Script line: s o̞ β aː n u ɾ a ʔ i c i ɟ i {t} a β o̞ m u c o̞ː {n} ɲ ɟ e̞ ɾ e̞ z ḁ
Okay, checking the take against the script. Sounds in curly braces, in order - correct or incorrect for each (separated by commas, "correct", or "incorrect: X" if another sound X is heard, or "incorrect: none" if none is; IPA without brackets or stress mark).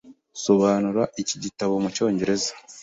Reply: correct, incorrect: none